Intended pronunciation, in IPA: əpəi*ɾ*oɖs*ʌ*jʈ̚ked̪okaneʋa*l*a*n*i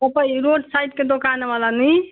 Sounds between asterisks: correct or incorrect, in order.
correct, incorrect: a, correct, correct

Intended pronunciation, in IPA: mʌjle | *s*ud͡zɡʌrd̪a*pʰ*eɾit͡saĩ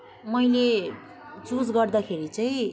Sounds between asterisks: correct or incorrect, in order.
incorrect: t͡s, incorrect: kʰ

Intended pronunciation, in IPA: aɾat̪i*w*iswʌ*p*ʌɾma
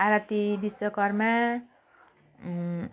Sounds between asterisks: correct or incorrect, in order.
incorrect: b, incorrect: k

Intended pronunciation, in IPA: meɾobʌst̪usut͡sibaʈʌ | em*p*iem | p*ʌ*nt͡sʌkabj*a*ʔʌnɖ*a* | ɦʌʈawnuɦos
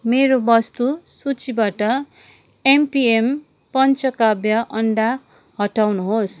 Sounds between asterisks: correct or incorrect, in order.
correct, correct, incorrect: ʌ, correct

